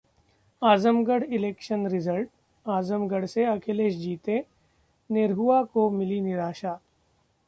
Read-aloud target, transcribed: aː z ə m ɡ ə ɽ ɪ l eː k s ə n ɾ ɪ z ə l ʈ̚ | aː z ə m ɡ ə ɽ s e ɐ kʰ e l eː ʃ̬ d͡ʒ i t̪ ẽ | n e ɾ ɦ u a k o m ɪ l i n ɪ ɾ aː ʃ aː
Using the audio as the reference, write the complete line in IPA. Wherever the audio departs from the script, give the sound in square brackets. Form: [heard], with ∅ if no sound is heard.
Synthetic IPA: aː z ə m ɡ ə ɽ ɪ l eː k [ʃ] ə n ɾ ɪ z ə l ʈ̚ | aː z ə m ɡ ə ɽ s e ɐ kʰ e l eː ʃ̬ d͡ʒ [iː] t̪ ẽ | n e ɾ ɦ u a k o m ɪ l i n ɪ ɾ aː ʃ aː